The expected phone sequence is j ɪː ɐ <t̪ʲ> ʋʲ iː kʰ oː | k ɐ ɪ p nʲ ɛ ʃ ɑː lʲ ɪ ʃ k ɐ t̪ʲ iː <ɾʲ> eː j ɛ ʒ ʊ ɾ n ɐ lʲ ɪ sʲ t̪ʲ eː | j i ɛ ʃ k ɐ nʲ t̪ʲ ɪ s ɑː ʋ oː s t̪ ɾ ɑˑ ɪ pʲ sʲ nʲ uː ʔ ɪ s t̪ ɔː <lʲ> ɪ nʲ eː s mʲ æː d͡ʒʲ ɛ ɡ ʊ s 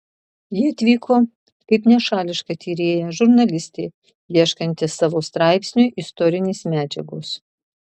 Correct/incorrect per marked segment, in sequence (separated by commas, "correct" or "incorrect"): correct, correct, incorrect